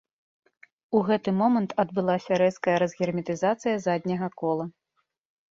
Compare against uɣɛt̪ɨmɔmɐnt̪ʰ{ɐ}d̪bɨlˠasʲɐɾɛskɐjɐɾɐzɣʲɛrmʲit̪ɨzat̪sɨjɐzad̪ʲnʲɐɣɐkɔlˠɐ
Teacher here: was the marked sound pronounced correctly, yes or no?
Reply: yes